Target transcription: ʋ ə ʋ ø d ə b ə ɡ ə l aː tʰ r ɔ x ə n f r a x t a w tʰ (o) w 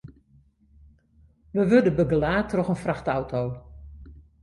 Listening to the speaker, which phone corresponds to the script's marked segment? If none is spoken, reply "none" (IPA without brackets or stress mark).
o